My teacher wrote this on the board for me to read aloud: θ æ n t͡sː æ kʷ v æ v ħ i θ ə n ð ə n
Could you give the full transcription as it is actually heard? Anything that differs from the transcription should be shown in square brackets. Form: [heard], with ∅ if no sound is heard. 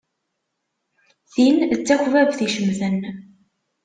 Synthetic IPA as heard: θ [i] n t͡sː æ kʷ v æ v [θ] i [ʃ] ə [m] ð ə n